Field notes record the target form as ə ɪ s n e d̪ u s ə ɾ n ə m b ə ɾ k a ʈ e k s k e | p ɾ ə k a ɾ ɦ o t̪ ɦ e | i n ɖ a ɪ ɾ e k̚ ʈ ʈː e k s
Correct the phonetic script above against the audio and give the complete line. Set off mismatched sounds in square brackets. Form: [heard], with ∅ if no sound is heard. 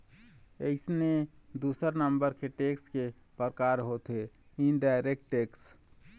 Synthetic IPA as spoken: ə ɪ s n e d̪ u s ə ɾ n ə m b ə ɾ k [e] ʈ e k s k e | p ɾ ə k a ɾ ɦ o t̪ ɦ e | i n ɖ a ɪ ɾ e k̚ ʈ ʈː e k s